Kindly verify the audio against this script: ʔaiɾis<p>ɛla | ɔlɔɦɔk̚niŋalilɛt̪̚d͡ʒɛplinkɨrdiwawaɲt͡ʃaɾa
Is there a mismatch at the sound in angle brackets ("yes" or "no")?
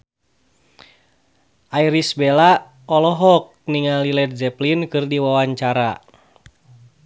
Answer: yes